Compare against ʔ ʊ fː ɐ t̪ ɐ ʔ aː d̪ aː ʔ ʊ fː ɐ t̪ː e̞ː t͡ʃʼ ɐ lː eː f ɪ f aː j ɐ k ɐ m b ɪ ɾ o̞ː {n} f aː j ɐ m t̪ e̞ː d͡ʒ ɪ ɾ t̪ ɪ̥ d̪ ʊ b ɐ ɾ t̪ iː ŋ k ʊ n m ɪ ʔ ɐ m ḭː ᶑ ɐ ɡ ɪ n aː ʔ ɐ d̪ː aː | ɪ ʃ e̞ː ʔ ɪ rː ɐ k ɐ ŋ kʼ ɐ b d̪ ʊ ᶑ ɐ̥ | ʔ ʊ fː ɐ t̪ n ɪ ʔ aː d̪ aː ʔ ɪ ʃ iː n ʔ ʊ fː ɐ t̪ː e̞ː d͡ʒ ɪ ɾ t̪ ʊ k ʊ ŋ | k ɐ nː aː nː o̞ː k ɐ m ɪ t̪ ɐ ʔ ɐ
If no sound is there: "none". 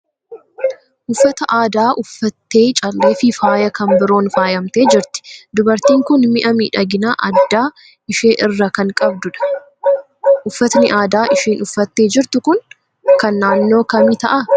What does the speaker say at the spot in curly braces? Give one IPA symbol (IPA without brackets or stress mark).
n